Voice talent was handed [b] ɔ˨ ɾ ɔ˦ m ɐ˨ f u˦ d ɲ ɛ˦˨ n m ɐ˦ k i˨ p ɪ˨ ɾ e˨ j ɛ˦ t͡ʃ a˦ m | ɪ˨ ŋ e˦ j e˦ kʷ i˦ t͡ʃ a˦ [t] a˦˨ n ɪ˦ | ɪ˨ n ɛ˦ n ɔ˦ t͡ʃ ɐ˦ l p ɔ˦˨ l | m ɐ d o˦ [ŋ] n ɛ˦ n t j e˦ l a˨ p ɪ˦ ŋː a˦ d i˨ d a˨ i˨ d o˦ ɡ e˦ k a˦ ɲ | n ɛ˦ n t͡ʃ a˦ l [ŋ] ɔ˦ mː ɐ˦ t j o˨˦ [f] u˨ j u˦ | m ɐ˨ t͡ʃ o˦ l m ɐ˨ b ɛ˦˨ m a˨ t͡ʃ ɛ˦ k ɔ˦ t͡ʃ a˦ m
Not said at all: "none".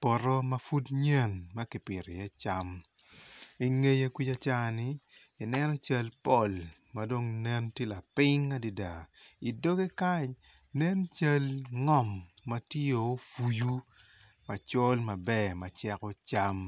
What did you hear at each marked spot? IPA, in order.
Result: p, t͡ʃ, ŋ, ŋ, f

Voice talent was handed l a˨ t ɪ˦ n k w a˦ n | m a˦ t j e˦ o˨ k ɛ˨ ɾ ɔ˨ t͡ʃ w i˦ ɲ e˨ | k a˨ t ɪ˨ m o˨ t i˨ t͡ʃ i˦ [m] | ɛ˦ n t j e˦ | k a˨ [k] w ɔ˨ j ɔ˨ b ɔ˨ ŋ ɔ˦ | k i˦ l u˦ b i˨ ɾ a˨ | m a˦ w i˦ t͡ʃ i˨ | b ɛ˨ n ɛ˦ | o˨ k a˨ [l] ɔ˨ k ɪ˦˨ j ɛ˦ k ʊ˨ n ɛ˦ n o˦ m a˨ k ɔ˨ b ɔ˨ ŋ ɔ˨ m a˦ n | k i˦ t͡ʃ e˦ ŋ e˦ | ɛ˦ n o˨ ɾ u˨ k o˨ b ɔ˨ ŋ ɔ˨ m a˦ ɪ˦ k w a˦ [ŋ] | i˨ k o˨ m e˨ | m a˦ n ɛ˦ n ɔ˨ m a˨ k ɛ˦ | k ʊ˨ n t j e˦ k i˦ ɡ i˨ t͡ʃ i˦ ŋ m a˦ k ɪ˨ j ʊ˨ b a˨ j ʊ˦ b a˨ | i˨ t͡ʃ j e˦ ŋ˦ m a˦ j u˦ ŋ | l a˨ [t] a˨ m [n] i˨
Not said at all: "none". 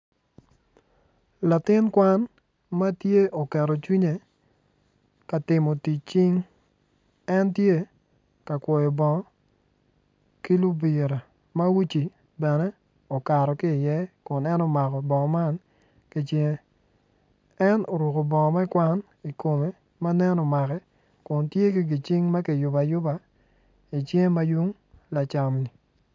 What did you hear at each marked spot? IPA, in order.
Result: ŋ, k, ɾ, n, t͡ʃ, n

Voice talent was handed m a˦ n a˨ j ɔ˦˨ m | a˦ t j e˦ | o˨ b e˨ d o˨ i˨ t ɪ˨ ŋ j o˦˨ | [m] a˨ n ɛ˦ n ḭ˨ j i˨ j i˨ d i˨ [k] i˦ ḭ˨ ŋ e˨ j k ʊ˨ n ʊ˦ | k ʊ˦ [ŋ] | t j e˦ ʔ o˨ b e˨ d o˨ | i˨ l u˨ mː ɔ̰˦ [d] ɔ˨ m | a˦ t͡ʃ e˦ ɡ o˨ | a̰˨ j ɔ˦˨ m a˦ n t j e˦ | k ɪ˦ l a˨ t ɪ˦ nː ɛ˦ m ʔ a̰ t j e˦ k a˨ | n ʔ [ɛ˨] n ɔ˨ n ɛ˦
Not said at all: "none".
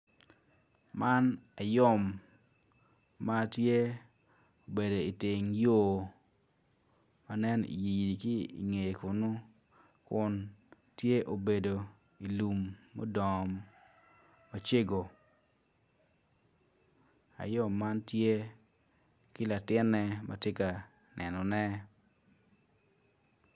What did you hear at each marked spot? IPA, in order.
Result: m, k, n, d, ɛ˨

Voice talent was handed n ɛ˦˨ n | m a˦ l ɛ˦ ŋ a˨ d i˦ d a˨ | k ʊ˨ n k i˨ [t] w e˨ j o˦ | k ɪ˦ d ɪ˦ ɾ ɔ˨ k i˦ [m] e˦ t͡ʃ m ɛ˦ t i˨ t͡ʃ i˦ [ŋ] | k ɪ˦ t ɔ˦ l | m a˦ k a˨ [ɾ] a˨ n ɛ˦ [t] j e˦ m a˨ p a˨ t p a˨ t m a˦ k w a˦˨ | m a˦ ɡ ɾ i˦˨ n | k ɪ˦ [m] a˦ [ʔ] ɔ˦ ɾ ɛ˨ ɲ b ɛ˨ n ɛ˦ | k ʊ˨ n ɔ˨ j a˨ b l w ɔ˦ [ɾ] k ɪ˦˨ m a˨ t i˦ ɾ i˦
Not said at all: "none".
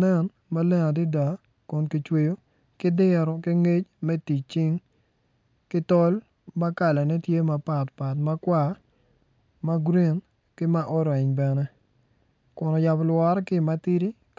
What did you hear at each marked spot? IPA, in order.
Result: t͡ʃ, ŋ, ŋ, l, t, m, ʔ, ɾ

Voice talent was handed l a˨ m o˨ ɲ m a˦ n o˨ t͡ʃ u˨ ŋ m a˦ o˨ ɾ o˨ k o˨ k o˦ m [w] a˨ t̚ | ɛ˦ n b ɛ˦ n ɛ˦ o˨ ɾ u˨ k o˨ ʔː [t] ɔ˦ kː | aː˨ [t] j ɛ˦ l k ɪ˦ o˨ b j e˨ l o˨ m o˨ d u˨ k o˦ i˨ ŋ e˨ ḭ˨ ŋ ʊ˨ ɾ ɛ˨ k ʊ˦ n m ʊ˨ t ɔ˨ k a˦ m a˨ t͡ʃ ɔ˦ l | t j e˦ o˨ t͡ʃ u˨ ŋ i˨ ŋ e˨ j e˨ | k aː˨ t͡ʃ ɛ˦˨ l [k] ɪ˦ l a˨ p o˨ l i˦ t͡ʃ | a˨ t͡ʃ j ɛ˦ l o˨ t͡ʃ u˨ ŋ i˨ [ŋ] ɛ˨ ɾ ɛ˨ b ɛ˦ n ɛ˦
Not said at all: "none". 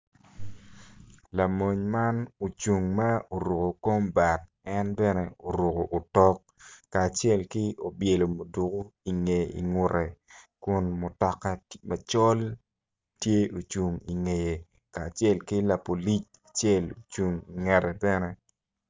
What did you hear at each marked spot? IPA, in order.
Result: b, t, t͡ʃ, k, ŋ

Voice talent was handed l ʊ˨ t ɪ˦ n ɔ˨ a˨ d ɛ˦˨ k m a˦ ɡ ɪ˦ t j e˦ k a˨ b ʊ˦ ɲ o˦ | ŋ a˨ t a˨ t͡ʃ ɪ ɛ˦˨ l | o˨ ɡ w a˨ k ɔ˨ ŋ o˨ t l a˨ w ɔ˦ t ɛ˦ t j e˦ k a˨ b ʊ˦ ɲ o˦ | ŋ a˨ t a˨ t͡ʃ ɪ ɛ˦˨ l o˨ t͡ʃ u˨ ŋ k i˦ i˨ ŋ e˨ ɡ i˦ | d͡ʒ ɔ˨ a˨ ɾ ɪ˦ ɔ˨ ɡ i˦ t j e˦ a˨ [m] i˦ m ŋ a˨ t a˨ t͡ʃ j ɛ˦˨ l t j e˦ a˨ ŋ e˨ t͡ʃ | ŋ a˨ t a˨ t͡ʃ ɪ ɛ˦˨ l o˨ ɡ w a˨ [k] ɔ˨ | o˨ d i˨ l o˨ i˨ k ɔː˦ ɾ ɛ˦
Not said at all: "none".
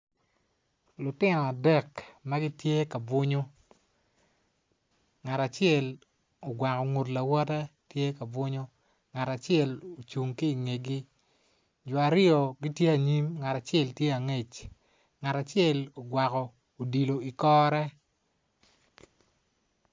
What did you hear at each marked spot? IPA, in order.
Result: ɲ, k

